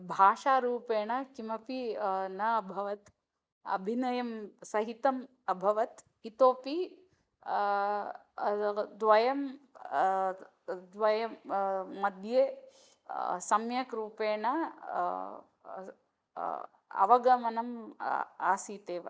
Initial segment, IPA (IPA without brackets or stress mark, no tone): bʱ